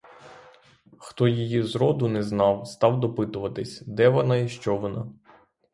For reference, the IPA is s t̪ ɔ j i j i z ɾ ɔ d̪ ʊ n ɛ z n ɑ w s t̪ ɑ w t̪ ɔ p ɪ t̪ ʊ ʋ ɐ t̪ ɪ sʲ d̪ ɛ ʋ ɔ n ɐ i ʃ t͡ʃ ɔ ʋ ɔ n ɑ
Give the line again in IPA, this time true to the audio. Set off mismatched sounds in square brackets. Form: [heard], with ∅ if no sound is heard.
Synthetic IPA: [x] t̪ ɔ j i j i z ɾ ɔ d̪ ʊ n ɛ z n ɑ w s t̪ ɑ w [d̪] ɔ p ɪ t̪ ʊ ʋ ɐ t̪ ɪ sʲ d̪ ɛ ʋ ɔ n [ɑ] i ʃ t͡ʃ ɔ ʋ ɔ n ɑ